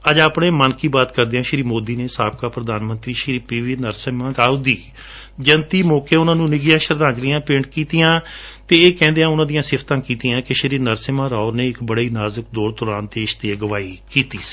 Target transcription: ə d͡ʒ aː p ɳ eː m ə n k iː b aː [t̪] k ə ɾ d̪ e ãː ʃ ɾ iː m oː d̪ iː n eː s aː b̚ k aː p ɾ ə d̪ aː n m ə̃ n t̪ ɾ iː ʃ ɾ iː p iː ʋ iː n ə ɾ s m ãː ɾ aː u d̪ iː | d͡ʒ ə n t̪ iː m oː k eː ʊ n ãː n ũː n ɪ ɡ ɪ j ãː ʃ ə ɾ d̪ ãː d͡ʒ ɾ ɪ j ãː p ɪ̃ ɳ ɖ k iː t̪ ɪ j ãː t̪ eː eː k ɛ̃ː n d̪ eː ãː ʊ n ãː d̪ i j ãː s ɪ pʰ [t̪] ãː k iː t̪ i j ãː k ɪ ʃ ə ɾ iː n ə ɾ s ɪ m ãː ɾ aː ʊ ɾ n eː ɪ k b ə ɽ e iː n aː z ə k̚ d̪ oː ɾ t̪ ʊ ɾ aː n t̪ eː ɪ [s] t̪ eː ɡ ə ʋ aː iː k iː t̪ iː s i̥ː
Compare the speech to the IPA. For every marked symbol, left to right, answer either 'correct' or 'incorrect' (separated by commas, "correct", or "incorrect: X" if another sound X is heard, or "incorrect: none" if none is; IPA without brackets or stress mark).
correct, correct, incorrect: ʃ